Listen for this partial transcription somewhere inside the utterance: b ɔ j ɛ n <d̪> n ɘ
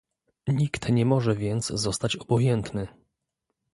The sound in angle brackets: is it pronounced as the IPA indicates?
no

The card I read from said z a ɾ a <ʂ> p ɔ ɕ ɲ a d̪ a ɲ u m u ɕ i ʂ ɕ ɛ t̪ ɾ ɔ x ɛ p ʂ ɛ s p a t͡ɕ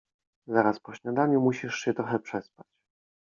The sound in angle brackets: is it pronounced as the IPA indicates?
no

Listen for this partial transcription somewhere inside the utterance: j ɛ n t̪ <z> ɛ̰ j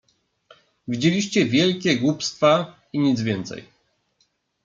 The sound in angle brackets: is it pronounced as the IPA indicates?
no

